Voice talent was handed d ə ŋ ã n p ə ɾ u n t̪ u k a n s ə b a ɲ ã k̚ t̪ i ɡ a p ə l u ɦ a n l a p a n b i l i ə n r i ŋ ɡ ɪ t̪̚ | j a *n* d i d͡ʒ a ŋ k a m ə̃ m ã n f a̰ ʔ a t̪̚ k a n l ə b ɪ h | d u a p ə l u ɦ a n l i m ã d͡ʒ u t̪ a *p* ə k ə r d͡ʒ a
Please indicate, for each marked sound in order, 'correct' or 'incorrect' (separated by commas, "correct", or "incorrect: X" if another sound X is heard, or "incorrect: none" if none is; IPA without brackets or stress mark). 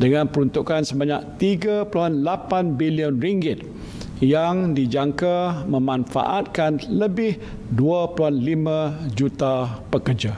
incorrect: ŋ, correct